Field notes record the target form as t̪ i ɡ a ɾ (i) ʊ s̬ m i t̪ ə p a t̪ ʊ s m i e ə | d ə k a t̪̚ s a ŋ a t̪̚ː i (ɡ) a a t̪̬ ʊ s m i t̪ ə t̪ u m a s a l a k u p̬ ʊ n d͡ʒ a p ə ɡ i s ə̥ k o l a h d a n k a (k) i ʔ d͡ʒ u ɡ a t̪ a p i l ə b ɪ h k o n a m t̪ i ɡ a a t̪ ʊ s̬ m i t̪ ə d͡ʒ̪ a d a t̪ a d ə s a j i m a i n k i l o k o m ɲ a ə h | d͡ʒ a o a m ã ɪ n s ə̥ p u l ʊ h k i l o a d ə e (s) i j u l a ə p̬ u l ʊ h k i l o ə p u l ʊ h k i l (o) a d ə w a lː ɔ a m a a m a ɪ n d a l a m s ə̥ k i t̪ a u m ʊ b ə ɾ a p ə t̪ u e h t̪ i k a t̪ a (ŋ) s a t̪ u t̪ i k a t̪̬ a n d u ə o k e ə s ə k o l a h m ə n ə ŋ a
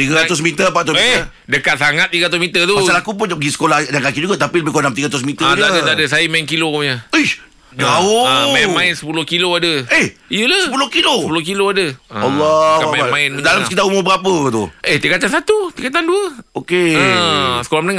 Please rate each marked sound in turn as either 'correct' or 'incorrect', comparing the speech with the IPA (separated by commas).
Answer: incorrect, correct, correct, incorrect, correct, incorrect